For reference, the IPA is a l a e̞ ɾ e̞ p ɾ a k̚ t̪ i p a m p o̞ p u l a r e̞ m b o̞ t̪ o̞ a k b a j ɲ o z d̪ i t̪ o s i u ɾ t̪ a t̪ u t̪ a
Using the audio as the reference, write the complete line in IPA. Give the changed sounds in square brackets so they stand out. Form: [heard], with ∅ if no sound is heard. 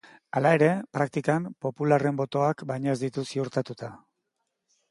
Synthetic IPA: a l a e̞ ɾ e̞ p ɾ a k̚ t̪ i [k] a m p o̞ p u l a r e̞ m b o̞ t̪ o̞ a k b a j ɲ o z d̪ i t̪ [u] s i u ɾ t̪ a t̪ u t̪ a